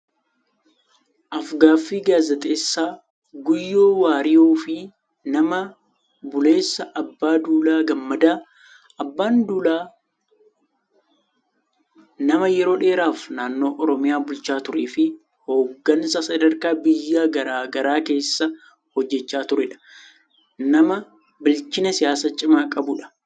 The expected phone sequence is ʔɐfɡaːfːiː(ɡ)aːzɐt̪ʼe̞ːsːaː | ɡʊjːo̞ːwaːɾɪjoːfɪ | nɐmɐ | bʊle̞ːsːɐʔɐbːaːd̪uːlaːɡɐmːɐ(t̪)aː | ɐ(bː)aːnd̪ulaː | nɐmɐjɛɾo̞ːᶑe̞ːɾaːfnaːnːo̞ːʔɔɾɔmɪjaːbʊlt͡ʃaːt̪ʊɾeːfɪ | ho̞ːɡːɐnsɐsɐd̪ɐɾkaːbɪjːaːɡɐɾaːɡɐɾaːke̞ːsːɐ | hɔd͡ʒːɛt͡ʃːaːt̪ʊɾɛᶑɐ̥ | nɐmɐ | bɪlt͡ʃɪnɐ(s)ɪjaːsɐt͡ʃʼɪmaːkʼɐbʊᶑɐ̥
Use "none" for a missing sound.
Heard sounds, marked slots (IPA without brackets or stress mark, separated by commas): ɡ, d̪, bː, s